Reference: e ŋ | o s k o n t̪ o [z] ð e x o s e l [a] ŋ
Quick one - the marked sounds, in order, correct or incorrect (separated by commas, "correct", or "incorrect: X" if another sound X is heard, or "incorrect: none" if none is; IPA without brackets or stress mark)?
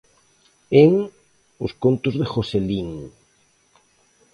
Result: correct, incorrect: i